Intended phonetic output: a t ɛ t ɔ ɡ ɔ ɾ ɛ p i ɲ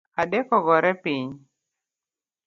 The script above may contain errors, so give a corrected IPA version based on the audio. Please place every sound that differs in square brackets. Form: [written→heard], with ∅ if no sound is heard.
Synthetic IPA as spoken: a [t→d] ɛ [t→k] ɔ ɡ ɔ ɾ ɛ p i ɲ